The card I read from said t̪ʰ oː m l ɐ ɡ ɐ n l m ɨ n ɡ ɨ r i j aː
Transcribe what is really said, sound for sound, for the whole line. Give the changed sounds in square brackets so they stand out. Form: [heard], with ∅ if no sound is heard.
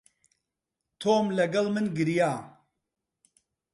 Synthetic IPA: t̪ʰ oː m l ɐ ɡ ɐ [∅] l m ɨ n ɡ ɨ [ɾ] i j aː